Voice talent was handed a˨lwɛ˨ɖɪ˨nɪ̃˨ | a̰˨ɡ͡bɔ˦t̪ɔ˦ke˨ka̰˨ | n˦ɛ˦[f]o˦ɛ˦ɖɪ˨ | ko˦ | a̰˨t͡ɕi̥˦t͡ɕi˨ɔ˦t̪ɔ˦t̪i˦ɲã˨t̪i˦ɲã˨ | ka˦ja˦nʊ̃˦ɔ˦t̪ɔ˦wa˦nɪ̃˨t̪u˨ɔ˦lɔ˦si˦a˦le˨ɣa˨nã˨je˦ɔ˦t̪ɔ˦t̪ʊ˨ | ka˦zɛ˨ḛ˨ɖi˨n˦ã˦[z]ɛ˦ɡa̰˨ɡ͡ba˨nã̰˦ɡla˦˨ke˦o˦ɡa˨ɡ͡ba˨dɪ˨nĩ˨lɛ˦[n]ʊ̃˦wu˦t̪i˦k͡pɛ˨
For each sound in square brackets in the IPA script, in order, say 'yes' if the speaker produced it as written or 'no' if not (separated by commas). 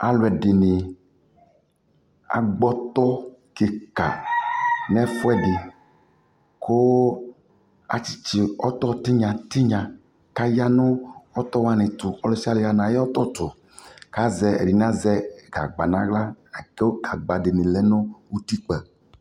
yes, yes, yes